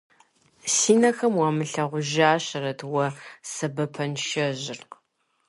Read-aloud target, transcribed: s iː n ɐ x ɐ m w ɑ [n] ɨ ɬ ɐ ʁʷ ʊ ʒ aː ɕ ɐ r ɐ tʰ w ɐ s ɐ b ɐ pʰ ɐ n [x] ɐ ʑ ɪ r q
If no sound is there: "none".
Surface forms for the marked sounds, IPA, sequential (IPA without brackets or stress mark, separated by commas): m, ʃ